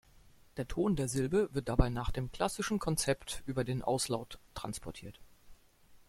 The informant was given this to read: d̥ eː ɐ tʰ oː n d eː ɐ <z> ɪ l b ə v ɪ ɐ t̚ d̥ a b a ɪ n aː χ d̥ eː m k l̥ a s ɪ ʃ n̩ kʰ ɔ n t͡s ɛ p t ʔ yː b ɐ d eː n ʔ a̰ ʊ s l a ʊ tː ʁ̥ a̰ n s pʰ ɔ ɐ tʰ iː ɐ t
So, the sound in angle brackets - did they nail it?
yes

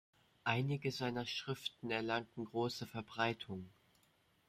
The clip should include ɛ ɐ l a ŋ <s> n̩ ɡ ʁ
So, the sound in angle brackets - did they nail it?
no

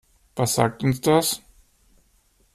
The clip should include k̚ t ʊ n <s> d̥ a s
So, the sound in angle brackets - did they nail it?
yes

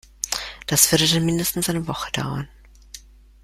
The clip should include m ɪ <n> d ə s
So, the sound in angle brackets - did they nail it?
yes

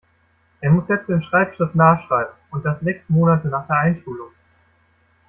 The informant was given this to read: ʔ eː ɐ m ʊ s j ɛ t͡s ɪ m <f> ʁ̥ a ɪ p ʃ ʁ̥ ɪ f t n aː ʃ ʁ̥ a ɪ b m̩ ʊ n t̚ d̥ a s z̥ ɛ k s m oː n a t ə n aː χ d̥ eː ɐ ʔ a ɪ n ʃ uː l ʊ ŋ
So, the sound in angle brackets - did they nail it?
no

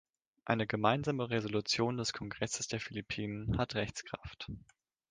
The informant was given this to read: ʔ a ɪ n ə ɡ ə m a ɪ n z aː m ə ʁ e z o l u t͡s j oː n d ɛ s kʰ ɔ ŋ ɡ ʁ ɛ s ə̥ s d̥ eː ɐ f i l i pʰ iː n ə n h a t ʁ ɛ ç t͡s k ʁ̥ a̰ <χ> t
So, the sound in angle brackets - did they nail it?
no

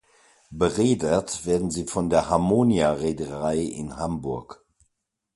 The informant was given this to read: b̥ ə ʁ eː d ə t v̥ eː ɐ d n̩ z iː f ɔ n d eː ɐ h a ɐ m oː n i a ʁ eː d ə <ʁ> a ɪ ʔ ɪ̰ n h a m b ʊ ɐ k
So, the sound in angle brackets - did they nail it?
yes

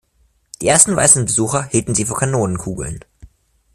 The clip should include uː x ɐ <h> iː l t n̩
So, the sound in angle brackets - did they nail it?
yes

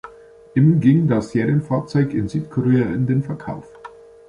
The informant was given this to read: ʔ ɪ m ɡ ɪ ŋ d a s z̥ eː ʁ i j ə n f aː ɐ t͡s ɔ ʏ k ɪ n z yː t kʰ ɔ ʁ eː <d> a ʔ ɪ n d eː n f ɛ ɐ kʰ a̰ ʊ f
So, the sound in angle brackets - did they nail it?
no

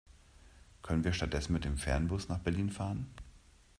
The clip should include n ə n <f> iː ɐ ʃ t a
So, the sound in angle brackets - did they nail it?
no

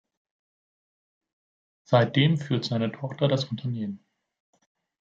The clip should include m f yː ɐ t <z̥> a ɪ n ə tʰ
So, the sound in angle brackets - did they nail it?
yes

